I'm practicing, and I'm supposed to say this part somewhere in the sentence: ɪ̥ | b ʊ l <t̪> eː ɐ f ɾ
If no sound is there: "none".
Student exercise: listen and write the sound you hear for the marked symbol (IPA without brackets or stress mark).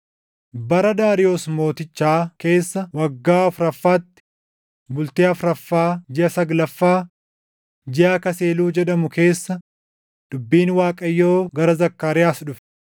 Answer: t̪